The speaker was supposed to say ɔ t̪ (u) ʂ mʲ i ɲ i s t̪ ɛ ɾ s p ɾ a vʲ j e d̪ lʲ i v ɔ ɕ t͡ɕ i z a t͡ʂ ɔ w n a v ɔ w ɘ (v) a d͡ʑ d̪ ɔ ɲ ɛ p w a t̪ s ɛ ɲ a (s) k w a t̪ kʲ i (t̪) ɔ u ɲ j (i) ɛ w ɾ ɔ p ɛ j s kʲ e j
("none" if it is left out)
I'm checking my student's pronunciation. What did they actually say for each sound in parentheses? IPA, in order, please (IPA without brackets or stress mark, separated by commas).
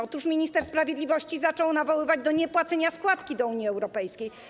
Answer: u, v, s, d̪, i